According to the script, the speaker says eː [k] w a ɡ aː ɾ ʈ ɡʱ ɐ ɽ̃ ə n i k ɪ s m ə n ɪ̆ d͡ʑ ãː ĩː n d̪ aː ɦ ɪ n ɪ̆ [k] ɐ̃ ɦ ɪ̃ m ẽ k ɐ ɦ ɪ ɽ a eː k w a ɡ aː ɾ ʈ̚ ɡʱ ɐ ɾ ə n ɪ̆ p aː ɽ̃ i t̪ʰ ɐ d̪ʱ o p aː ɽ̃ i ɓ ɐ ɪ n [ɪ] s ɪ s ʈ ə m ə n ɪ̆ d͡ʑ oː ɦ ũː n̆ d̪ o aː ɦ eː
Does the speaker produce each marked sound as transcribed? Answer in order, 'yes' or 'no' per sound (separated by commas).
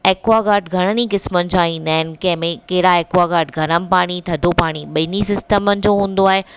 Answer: yes, yes, no